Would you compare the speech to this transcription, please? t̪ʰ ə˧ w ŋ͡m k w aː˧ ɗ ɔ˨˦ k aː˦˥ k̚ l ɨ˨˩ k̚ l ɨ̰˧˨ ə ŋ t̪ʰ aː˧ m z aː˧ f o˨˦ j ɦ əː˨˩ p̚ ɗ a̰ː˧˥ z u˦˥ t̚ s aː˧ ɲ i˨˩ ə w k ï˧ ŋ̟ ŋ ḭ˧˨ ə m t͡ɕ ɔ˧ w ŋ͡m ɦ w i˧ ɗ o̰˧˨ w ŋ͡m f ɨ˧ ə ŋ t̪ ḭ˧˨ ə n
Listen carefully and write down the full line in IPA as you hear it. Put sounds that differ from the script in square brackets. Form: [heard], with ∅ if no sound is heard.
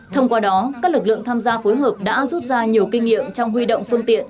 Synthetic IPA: t̪ʰ ə˧ w ŋ͡m k w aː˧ ɗ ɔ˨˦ k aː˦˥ k̚ l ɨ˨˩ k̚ l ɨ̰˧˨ ə ŋ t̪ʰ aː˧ m z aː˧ f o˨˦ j ɦ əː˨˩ p̚ ɗ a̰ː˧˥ z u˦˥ t̚ [z] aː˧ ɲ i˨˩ ə w k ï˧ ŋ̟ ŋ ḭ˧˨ ə m t͡ɕ ɔ˧ w ŋ͡m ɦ w i˧ ɗ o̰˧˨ w ŋ͡m f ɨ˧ ə ŋ t̪ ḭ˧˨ ə n